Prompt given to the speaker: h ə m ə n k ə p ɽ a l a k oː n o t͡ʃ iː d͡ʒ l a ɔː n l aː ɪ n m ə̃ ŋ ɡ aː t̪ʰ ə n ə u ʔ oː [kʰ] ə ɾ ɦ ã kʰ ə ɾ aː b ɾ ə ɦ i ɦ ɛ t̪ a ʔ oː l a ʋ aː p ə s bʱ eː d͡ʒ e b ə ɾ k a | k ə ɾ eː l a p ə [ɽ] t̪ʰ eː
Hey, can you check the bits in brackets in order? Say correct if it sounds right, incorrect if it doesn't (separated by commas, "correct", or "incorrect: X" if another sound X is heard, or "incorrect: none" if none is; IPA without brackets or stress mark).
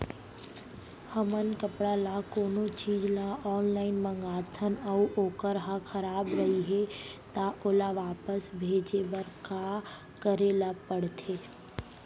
incorrect: k, correct